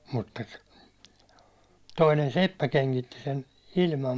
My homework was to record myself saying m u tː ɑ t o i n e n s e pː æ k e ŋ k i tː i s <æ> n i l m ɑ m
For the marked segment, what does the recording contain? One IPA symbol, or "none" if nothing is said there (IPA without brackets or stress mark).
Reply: e